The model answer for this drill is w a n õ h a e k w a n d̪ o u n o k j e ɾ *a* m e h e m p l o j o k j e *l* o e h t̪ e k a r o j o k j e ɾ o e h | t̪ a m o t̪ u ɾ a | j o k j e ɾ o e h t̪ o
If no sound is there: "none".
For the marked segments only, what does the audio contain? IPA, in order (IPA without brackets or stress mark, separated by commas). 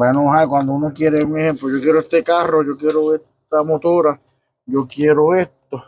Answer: e, ɾ